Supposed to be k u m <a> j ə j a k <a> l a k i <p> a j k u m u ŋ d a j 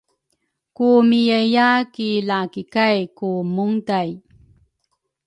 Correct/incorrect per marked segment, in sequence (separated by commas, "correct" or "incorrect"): incorrect, incorrect, incorrect